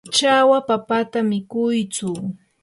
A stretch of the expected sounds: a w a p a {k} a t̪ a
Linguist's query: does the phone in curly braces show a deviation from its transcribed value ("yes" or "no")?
yes